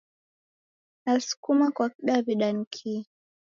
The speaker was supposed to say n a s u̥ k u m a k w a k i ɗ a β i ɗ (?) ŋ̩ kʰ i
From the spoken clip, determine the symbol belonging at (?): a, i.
a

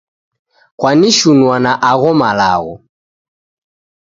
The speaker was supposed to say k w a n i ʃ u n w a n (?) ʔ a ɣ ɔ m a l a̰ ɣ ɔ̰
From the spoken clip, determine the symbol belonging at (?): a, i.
a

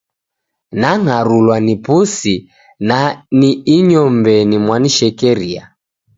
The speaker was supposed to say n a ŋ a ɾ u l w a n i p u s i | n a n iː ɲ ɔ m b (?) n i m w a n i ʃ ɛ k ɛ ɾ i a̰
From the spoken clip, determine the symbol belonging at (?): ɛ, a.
ɛ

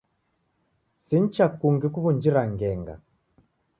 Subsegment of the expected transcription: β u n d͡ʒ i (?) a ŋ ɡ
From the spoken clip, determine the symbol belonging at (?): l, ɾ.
ɾ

